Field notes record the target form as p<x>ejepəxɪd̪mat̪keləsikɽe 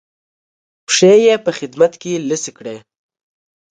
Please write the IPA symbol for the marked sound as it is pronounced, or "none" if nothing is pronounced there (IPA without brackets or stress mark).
ʂ